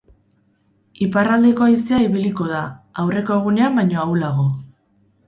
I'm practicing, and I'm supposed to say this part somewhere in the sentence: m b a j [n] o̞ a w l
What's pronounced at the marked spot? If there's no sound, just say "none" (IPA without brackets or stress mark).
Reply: ɲ